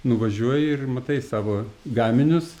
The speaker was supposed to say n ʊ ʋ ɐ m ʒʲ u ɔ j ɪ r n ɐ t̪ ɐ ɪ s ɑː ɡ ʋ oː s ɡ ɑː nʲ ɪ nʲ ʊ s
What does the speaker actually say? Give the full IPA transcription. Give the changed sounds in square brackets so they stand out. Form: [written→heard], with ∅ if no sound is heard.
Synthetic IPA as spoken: n ʊ ʋ ɐ [m→∅] ʒʲ u ɔ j ɪ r [n→m] ɐ t̪ ɐ ɪ s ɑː [ɡ→∅] ʋ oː [s→∅] ɡ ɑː [nʲ→mʲ] ɪ nʲ ʊ s

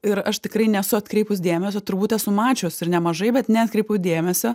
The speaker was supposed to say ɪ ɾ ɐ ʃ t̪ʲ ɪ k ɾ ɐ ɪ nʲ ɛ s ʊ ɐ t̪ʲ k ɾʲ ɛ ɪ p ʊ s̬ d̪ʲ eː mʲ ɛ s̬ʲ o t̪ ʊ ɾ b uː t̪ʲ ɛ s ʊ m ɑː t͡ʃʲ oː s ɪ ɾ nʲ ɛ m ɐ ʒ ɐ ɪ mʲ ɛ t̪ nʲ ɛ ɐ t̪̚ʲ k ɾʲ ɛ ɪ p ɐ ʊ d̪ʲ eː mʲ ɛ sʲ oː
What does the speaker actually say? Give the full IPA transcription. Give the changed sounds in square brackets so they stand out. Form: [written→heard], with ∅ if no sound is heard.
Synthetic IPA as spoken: ɪ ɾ ɐ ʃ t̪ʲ ɪ k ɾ ɐ ɪ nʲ ɛ s ʊ ɐ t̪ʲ k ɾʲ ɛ ɪ p ʊ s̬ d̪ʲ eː mʲ ɛ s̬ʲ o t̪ ʊ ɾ b uː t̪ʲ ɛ s ʊ m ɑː t͡ʃʲ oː s ɪ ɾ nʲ ɛ m ɐ ʒ ɐ ɪ [mʲ→bʲ] ɛ t̪ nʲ ɛ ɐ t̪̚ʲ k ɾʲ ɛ ɪ p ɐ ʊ d̪ʲ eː mʲ ɛ sʲ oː

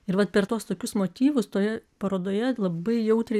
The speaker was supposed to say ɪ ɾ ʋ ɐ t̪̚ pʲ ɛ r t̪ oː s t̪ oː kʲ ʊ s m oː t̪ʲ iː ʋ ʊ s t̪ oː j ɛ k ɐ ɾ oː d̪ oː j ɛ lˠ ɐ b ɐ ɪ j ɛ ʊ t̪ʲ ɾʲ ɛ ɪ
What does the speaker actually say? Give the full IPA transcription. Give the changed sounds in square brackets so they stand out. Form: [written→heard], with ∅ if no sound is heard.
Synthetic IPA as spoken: ɪ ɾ ʋ ɐ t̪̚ pʲ ɛ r t̪ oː s t̪ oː kʲ ʊ s m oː t̪ʲ iː ʋ ʊ s t̪ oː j ɛ [k→p] ɐ ɾ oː d̪ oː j ɛ lˠ ɐ b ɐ ɪ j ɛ ʊ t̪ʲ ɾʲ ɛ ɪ

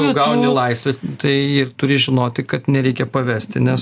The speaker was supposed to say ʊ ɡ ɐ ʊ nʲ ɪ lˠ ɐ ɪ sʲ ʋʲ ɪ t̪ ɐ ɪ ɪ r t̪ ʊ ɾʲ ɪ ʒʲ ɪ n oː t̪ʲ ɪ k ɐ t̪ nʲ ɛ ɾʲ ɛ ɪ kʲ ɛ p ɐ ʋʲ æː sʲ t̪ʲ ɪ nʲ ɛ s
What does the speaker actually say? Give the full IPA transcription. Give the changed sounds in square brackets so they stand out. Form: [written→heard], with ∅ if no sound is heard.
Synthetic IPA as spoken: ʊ ɡ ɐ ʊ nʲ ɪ lˠ ɐ ɪ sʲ ʋʲ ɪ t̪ ɐ ɪ ɪ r t̪ ʊ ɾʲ ɪ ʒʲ ɪ n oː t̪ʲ ɪ k ɐ t̪ nʲ ɛ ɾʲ ɛ ɪ kʲ ɛ p ɐ ʋʲ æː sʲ t̪ʲ ɪ nʲ ɛ s

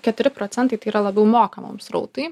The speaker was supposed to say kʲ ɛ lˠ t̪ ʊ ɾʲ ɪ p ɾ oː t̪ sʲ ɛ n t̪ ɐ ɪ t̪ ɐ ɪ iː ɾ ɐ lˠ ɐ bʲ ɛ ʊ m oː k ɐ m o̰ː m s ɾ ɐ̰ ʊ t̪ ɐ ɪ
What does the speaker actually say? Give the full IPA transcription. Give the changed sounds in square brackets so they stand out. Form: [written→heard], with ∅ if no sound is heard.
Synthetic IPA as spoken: kʲ ɛ [lˠ→∅] t̪ ʊ ɾʲ ɪ p ɾ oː t̪ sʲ ɛ n t̪ ɐ ɪ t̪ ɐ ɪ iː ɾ ɐ lˠ ɐ bʲ ɛ ʊ m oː k ɐ m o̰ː m s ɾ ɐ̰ ʊ t̪ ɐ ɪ

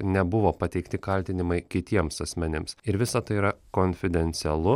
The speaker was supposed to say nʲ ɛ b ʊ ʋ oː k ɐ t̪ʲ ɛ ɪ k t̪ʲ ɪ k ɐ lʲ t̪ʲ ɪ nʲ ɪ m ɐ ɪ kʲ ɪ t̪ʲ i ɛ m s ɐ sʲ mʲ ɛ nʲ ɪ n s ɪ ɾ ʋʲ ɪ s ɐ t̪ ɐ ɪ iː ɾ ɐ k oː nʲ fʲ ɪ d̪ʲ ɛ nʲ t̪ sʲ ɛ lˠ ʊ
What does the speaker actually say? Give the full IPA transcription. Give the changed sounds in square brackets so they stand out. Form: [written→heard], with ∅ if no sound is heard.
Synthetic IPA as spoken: nʲ ɛ b ʊ ʋ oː [k→p] ɐ t̪ʲ ɛ ɪ k t̪ʲ ɪ k ɐ lʲ t̪ʲ ɪ nʲ ɪ m ɐ ɪ kʲ ɪ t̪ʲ i ɛ m s ɐ sʲ mʲ ɛ nʲ ɪ [n→m] s ɪ ɾ ʋʲ ɪ s ɐ t̪ ɐ ɪ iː ɾ ɐ k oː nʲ fʲ ɪ d̪ʲ ɛ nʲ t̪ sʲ ɛ lˠ ʊ

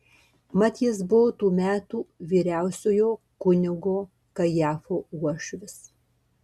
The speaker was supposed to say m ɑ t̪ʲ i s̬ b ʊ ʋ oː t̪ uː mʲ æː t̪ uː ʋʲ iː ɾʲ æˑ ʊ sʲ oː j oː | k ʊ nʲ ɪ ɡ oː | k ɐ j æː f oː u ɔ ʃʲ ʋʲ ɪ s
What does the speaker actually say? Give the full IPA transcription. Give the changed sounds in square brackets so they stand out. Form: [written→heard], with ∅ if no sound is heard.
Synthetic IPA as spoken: m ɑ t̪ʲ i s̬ b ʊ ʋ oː t̪ uː mʲ æː t̪ uː ʋʲ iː ɾʲ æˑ ʊ sʲ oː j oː | k ʊ nʲ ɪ ɡ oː | k ɐ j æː f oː u ɔ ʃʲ ʋʲ ɪ s

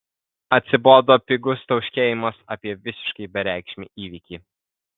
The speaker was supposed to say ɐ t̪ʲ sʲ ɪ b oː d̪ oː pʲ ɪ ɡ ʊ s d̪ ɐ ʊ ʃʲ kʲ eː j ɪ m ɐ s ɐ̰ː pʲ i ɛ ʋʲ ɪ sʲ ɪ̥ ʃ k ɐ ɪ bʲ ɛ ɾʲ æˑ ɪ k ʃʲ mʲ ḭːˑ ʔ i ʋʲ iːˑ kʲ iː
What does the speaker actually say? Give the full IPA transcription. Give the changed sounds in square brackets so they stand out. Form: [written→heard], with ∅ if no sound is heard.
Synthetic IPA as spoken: ɐ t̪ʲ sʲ ɪ b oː d̪ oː pʲ ɪ ɡ ʊ s [d̪→t̪] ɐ ʊ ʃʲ kʲ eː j ɪ m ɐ s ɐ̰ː pʲ i ɛ ʋʲ ɪ sʲ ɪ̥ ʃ k ɐ ɪ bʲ ɛ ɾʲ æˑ ɪ k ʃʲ mʲ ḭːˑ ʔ [i→iː] ʋʲ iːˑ kʲ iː

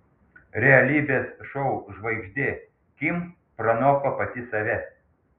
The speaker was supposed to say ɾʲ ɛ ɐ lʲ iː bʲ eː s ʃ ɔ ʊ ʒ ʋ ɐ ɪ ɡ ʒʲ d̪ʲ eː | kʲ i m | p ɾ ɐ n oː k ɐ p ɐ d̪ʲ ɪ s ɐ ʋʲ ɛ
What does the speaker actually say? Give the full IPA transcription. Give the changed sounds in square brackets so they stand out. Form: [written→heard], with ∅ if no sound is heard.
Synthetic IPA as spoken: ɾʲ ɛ ɐ lʲ iː bʲ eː s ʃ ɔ ʊ ʒ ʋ ɐ ɪ ɡ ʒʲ d̪ʲ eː | kʲ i m | p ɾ ɐ n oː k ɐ p ɐ [d̪ʲ→t̪ʲ] ɪ s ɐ ʋʲ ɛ

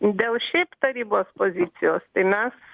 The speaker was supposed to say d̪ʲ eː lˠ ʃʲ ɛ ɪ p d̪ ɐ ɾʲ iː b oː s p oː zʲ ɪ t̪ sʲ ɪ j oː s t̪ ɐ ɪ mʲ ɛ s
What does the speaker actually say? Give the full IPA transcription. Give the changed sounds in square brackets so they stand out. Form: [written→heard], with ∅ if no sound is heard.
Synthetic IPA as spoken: d̪ʲ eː lˠ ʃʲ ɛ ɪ p [d̪→t̪] ɐ ɾʲ iː b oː s p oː zʲ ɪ t̪ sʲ ɪ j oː s t̪ ɐ ɪ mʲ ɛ s

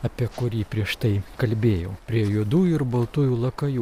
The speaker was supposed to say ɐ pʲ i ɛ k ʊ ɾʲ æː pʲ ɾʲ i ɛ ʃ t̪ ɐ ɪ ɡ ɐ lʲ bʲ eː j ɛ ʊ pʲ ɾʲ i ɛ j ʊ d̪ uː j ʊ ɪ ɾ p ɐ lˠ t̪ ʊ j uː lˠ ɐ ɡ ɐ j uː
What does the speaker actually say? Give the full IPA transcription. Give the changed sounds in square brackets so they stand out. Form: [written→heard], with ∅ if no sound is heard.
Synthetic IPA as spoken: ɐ pʲ i ɛ k ʊ ɾʲ [æː→iː] pʲ ɾʲ i ɛ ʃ t̪ ɐ ɪ [ɡ→k] ɐ lʲ bʲ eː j ɛ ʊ pʲ ɾʲ i ɛ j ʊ d̪ uː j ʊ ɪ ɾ [p→b] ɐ lˠ t̪ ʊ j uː lˠ ɐ [ɡ→k] ɐ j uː

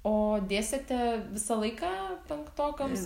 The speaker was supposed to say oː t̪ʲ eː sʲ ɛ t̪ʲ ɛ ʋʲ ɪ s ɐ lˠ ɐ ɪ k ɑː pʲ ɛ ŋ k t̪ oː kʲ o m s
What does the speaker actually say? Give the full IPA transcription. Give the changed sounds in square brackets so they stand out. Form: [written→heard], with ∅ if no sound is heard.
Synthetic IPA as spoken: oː [t̪ʲ→d̪ʲ] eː sʲ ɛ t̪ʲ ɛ ʋʲ ɪ s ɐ lˠ ɐ ɪ k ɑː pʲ ɛ ŋ k t̪ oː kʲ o m s

